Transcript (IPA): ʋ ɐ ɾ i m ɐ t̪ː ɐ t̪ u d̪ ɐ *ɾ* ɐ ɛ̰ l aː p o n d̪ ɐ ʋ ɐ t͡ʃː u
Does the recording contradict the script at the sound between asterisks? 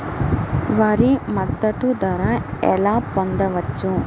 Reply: no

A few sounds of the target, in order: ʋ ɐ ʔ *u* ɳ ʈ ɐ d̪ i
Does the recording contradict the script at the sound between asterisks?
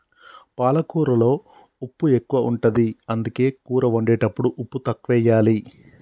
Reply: no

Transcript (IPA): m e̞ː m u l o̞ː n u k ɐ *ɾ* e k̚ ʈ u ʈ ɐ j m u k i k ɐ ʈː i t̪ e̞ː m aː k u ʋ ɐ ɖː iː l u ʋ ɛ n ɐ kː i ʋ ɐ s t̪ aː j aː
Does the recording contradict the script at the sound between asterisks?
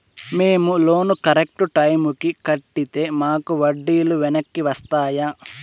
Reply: no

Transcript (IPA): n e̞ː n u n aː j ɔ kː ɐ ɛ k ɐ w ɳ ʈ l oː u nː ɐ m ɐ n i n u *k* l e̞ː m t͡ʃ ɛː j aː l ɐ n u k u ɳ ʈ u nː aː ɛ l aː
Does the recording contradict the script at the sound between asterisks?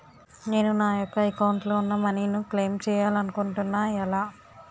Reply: no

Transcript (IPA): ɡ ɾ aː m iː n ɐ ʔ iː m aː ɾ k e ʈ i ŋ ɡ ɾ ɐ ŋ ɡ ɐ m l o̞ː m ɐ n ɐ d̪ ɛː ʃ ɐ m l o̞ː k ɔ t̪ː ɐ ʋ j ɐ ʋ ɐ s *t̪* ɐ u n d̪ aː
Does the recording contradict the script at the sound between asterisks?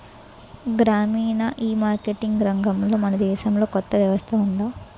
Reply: yes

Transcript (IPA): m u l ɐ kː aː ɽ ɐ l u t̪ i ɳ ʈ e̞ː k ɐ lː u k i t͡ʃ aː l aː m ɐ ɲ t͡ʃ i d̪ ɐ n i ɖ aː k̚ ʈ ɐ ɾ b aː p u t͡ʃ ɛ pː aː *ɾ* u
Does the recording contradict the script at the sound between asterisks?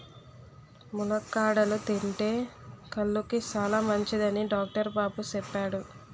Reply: yes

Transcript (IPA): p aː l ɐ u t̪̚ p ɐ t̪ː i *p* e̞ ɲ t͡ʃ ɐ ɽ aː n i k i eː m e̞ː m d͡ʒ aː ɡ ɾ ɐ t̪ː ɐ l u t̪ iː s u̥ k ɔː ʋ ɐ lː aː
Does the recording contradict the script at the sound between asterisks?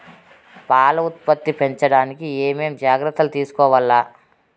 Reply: no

